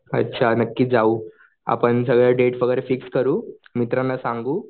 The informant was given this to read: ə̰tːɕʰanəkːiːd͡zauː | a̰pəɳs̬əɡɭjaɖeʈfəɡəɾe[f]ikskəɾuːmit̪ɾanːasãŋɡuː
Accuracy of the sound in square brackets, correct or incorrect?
correct